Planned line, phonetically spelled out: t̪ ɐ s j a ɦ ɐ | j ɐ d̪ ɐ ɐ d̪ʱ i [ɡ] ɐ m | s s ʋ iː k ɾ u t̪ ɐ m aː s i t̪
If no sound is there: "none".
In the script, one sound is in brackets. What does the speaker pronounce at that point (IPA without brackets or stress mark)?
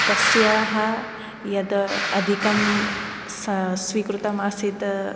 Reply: k